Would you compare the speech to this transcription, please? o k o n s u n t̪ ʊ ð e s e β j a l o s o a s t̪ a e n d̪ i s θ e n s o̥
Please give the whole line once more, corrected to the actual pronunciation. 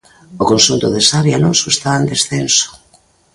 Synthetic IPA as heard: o k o n s u n t̪ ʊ ð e s a β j a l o s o e s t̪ a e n d̪ e s θ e n s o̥